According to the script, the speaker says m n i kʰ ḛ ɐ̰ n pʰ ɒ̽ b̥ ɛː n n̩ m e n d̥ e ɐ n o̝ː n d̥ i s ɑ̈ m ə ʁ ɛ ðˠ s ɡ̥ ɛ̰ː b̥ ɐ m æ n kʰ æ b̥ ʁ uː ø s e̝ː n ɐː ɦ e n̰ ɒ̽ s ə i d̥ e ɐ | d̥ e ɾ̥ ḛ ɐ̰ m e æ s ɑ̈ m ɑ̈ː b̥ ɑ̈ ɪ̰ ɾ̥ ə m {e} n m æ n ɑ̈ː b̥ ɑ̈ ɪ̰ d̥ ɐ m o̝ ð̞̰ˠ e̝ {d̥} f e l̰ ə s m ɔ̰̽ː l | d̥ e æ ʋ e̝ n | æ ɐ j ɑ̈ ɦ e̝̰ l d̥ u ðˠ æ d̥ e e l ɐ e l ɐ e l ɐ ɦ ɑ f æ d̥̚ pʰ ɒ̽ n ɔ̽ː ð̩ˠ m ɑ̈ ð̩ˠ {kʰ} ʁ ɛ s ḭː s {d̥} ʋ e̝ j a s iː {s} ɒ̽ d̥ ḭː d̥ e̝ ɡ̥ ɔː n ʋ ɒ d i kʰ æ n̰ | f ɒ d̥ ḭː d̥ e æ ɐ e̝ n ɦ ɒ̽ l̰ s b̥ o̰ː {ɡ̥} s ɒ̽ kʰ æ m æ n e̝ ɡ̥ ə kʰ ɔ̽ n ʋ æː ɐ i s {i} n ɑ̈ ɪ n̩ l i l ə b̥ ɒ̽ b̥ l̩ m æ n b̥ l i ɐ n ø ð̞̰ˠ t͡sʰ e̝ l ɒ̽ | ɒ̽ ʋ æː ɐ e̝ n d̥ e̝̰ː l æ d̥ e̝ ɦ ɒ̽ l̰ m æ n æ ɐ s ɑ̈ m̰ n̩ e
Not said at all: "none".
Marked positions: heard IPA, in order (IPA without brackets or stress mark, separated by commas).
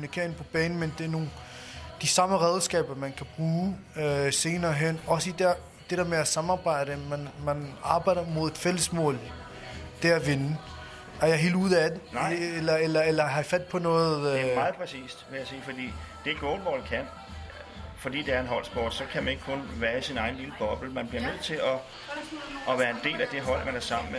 æ, d̥, pʰ, d̥, f, d̥, i